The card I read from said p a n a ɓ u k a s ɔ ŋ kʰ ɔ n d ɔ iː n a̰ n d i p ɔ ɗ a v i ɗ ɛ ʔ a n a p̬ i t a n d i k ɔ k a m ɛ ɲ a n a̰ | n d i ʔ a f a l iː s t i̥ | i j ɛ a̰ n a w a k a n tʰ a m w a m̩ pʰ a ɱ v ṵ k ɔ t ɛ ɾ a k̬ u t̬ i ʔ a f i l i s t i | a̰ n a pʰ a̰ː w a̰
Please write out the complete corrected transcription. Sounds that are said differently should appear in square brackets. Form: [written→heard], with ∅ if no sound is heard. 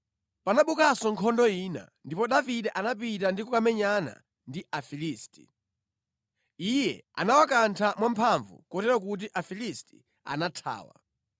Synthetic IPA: p a n a ɓ u k a s ɔ ŋ kʰ ɔ n d ɔ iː n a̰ n d i p ɔ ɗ a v i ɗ ɛ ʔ a n a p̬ i t a n d i k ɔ k a m ɛ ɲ a n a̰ | n d i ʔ a f [a→i] l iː s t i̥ | i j ɛ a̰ n a w a k a n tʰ a m w a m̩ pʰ a ɱ v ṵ k ɔ t ɛ ɾ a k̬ u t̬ i ʔ a f i l i s t i | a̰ n a [pʰ→tʰ] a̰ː w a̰